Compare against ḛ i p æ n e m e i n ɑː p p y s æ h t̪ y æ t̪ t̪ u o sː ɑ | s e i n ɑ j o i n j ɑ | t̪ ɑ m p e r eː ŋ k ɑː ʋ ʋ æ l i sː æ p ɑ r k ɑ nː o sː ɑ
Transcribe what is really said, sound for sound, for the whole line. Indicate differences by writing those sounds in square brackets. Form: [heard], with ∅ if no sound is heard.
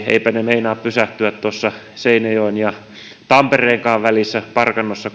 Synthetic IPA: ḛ i p æ n e m e i n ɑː p p y s æ h t̪ y æ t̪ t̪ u o sː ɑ | s e i n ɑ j o i n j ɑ | t̪ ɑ m p e r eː ŋ k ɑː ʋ ʋ æ l i sː æ p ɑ r k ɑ nː o sː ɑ

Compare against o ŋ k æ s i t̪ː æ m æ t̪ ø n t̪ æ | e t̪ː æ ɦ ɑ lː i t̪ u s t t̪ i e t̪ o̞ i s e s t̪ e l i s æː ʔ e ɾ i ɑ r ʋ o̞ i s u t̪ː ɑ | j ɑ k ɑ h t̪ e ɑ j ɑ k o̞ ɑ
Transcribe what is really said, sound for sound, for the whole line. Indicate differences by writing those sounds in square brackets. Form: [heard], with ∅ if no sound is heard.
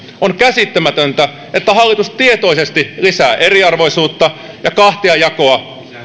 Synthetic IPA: o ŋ k æ s i t̪ː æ m æ t̪ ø n t̪ æ | e t̪ː æ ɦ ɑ lː i t̪ u s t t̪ i e t̪ o̞ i s e s t̪ [i] l i s æː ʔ e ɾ i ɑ r ʋ o̞ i s [uː] t̪ː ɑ | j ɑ k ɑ h t̪ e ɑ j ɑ k o̞ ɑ

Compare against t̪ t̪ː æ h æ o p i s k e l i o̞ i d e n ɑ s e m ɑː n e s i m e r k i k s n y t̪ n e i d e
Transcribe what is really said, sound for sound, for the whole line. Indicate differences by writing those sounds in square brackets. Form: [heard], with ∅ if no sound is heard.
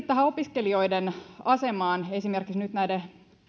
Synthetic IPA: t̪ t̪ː æ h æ o p i s k e l i o̞ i d e n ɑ s e m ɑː n e s i m e r k i k s n y t̪ n [æ] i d e

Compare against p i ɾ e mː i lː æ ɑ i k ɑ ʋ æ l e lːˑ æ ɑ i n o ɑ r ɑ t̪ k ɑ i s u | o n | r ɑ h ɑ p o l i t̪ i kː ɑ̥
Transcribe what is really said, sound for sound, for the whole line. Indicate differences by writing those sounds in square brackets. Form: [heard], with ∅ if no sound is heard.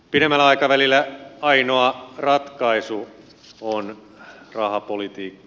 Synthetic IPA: p i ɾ e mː [æ] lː æ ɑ i k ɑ ʋ æ l [i] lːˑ æ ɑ i n o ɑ r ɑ t̪ k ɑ i s u | o n | r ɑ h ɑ p o l i t̪ [iː] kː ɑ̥

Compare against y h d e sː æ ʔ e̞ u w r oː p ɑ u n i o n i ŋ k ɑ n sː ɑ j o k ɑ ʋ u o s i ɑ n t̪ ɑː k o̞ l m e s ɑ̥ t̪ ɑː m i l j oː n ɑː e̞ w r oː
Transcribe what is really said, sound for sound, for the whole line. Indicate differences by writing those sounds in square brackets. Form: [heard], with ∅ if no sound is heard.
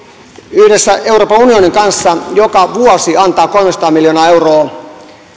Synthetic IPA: y h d e sː æ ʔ e̞ u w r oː p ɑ u n i o n i ŋ k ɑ n sː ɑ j o k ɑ ʋ u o s i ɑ n t̪ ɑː k o̞ l m e s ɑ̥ t̪ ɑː m i l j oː n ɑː e̞ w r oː

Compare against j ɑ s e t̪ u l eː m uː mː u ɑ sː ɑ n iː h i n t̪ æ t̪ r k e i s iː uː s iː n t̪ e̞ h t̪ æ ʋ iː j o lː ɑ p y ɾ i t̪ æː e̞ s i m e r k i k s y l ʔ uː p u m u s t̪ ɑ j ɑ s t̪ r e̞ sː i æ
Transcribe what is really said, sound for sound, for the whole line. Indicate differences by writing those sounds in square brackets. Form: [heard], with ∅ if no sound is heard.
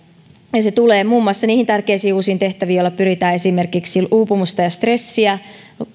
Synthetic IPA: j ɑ s e t̪ u l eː m uː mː u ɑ sː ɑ n iː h i n t̪ æ [∅] r k e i s iː uː s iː n t̪ e̞ h t̪ æ ʋ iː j o lː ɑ p y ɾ i t̪ æː e̞ s i m e r k i k s [i] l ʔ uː p u m u s t̪ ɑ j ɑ s t̪ r e̞ sː i æ

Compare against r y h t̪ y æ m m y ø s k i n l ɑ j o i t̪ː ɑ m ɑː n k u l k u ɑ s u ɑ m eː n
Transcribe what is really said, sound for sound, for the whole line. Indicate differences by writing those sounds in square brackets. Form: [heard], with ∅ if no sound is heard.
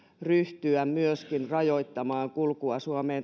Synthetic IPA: r y h t̪ y æ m m y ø s k i n [r] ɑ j o i t̪ː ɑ m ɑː [ŋ] k u l k u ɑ s u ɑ m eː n

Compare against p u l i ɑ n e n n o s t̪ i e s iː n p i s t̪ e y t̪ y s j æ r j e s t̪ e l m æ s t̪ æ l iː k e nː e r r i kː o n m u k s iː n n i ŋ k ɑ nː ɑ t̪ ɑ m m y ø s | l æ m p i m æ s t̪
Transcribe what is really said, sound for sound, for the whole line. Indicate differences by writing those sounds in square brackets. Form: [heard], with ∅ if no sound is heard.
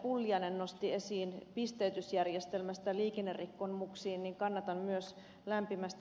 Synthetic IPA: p u [lː] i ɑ n e n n o s t̪ i e s iː n p i s t̪ e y t̪ y s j æ r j e s t̪ e l m æ s t̪ æ l iː k e nː e r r i kː o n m u k s iː n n i ŋ k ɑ nː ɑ t̪ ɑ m m y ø s | l æ m p i m æ s t̪

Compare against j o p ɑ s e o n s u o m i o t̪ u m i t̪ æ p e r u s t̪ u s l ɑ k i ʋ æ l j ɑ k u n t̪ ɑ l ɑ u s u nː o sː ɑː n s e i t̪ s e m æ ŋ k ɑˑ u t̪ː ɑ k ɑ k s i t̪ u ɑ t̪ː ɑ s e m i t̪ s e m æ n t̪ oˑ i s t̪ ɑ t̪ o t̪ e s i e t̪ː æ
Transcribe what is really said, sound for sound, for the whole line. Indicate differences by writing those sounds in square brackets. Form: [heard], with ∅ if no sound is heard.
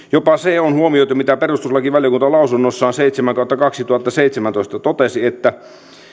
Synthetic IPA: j o p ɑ s e o n [h] u o m i o t̪ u m i t̪ æ p e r u s t̪ u s l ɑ k i ʋ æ l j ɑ k u n t̪ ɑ l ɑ u s u nː o sː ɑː n s e i t̪ s e m æ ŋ k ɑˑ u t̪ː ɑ k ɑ k s i t̪ u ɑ t̪ː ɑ s e [∅] i t̪ s e m æ n t̪ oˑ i s t̪ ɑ t̪ o t̪ e s i e t̪ː æ

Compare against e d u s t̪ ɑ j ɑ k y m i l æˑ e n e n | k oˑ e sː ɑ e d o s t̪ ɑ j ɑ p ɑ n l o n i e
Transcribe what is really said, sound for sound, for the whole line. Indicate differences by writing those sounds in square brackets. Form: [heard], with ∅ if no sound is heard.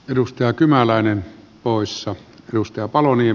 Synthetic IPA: e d u s t̪ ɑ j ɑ k y m [æ] l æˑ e n e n | [p] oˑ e sː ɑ e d [u] s t̪ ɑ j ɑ p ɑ [∅] l o n i e

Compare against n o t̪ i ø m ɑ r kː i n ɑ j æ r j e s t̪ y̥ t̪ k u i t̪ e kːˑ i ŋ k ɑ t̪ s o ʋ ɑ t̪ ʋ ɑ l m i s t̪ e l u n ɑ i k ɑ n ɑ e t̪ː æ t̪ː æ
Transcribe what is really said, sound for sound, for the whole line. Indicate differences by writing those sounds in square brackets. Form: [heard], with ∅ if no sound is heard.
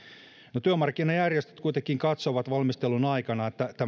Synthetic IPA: n o t̪ [y] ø m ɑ r kː i n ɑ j æ r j e s t̪ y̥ t̪ k u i t̪ e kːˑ i ŋ k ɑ t̪ s o ʋ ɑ t̪ ʋ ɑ l m i s t̪ e l u n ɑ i k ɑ n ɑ e t̪ː æ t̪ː æ

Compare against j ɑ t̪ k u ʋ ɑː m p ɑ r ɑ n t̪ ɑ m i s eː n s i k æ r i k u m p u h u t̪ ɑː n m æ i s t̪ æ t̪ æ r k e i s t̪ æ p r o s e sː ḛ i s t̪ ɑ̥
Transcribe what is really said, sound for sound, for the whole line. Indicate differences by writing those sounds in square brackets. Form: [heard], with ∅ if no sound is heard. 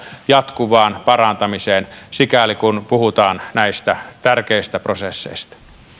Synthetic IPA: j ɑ t̪ k u ʋ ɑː [n] p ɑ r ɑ n t̪ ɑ m i s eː n s i k æ [l] i k u [n] p u h u t̪ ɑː n [n] æ i s t̪ æ t̪ æ r k e i s t̪ æ p r o s e sː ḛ i s t̪ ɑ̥

